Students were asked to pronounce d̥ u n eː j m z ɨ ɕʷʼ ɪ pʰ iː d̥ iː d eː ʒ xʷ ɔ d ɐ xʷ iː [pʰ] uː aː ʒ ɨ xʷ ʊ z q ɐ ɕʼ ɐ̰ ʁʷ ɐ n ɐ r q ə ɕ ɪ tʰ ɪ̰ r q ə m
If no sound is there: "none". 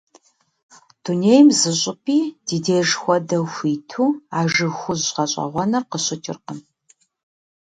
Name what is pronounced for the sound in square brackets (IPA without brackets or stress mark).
tʰ